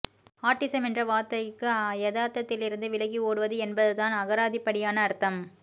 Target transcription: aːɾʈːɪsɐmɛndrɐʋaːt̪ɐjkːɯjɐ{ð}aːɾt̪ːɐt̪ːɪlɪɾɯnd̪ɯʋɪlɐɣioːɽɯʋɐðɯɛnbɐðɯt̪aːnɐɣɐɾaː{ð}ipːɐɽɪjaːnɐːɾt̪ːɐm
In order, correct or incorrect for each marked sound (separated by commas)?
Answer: correct, correct